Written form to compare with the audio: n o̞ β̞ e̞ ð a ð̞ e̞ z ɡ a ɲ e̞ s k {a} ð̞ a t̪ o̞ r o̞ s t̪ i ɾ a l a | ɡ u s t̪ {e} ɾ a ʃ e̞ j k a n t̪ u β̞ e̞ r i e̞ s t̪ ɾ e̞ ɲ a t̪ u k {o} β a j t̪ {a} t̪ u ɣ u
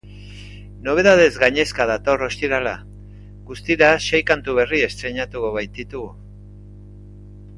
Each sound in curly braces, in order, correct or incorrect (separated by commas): correct, incorrect, correct, incorrect